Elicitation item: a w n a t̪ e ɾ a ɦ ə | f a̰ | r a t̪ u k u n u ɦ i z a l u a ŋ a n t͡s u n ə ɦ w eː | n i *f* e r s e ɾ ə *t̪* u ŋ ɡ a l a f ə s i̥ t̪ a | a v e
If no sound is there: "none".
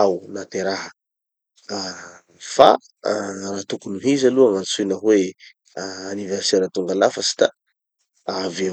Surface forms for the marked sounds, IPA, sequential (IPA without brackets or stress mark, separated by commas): v, t̪